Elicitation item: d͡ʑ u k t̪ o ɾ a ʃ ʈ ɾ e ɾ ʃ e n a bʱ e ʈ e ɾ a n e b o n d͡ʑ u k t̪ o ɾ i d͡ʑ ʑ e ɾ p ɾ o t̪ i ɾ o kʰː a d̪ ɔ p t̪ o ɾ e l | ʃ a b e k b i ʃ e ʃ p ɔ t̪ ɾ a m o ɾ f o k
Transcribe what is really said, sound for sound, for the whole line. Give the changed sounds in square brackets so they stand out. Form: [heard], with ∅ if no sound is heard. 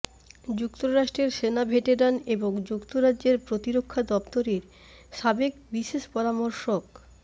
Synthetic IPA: d͡ʑ u k t̪ o ɾ a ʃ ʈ ɾ e ɾ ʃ e n a bʱ e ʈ e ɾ a n e b o [ŋ] d͡ʑ u k t̪ o ɾ [a] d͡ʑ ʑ e ɾ p ɾ o t̪ i ɾ o kʰː a d̪ ɔ p t̪ o ɾ e [ɾ] | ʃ a b e k b i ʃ e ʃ p ɔ [∅] ɾ a m o ɾ [ʃ] o k